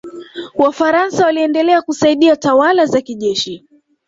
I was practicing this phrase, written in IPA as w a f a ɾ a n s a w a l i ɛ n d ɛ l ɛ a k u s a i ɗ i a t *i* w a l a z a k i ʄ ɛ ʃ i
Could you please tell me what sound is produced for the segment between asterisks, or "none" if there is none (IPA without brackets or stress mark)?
a